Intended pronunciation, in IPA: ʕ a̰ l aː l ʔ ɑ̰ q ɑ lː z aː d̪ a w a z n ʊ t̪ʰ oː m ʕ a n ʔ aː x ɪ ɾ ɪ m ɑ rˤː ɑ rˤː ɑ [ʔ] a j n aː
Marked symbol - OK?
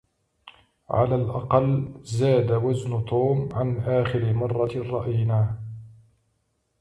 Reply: yes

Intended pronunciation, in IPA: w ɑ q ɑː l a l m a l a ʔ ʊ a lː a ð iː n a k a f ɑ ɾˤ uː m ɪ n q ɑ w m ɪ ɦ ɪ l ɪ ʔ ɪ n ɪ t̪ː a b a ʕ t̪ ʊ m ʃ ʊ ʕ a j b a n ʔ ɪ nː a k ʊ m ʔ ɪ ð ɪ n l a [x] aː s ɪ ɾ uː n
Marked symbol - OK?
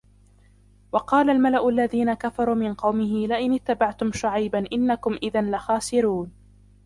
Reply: yes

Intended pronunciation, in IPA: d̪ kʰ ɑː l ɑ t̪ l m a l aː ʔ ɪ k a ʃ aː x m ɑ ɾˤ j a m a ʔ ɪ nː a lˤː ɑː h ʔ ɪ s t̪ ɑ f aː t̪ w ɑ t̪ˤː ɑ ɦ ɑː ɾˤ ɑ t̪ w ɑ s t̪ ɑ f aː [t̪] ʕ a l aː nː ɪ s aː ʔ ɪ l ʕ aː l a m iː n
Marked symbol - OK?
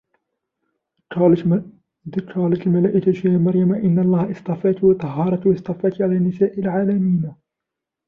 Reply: yes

